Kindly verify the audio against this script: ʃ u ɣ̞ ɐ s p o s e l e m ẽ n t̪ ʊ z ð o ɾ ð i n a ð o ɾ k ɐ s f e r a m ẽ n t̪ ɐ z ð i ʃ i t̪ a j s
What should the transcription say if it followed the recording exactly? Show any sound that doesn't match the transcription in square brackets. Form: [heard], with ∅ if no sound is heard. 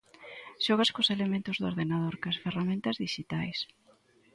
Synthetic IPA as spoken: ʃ [ɔ] ɣ̞ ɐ s [k] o s e l e m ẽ n t̪ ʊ z ð o ɾ ð [e] n a ð o ɾ k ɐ s f e r a m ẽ n t̪ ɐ z ð i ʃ i t̪ a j s